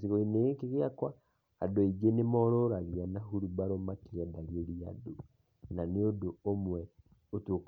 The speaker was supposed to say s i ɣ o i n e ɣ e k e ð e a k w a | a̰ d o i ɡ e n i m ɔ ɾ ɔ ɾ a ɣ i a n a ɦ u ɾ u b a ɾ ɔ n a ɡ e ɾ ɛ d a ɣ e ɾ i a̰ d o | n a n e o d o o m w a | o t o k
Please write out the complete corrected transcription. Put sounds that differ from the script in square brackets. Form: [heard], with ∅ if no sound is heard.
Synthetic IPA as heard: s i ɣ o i n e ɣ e k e [ɣ] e a k w a | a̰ d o i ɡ e n [e] m ɔ ɾ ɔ ɾ a ɣ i a n a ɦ u ɾ u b a ɾ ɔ [m] a [k] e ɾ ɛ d a ɣ e ɾ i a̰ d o | n a n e o d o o m w [ɛ] | o t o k